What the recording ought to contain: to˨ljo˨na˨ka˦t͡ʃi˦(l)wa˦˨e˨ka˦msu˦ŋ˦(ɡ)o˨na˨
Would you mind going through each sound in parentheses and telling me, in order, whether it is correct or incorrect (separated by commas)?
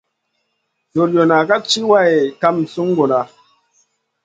incorrect, correct